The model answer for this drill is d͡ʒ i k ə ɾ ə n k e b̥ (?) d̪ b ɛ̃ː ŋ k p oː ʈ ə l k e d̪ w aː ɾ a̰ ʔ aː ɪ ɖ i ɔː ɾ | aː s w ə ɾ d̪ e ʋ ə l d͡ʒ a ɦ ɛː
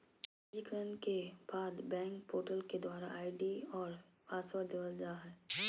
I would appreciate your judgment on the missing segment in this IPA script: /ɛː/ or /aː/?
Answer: aː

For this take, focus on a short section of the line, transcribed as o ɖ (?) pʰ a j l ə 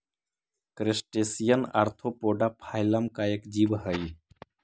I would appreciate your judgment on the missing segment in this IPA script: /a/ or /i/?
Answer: a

